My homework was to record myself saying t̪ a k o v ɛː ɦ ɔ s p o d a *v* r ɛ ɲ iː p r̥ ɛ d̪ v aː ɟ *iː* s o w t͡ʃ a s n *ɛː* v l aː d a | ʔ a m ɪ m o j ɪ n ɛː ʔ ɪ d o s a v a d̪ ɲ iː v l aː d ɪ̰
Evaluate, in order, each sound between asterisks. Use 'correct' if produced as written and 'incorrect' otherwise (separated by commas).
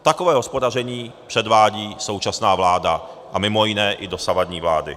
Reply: incorrect, correct, incorrect